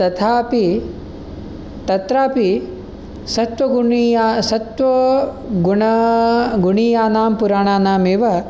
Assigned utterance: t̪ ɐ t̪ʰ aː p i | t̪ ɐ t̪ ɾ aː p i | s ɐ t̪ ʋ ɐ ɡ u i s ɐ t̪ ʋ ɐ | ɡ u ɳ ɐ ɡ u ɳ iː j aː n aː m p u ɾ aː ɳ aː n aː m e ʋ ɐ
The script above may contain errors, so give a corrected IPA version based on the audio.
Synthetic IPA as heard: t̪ ɐ t̪ʰ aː p i | t̪ ɐ t̪ ɾ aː p i | s ɐ t̪ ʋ ɐ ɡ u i s ɐ t̪ ʋ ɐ | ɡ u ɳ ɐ ɡ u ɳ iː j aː n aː m p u ɾ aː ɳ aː n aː m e ʋ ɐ